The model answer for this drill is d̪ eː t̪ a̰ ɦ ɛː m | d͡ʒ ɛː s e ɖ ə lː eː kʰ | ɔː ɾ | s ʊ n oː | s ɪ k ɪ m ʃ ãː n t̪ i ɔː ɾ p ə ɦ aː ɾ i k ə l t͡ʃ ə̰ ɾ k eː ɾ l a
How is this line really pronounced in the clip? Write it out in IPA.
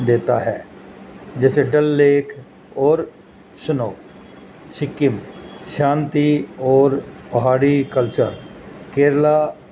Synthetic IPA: d̪ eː t̪ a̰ ɦ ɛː | d͡ʒ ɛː s e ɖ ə lː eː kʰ | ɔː ɾ | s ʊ n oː | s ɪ k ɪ m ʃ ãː n t̪ i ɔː ɾ p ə ɦ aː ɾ i k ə l t͡ʃ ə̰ ɾ k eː ɾ l a